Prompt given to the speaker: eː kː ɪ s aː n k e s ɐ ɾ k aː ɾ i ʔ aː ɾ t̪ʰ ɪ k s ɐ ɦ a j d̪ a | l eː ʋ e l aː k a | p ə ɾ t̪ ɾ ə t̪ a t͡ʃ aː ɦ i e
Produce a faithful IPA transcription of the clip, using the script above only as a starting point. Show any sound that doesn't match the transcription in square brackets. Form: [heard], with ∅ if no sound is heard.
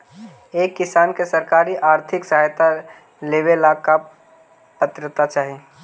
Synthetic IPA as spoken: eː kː ɪ s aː n k e s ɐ ɾ k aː ɾ i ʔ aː ɾ t̪ʰ ɪ k s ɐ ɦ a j [t̪] a | l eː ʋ e l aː k a | p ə [∅] t̪ ɾ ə t̪ a t͡ʃ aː ɦ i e